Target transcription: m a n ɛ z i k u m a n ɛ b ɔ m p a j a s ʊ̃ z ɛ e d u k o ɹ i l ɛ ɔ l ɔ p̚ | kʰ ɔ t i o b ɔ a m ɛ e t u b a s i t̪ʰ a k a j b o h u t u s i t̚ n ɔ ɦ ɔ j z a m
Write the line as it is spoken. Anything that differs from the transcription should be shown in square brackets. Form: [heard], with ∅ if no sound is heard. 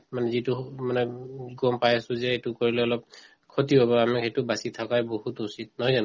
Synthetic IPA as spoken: m a n ɛ z i [t] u m a n ɛ [ɡ] ɔ m p a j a s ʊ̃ z ɛ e [t] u k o ɹ i l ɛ ɔ l ɔ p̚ | kʰ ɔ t i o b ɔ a m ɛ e t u b a s i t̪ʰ a k a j b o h u t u s i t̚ n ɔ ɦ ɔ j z a [n]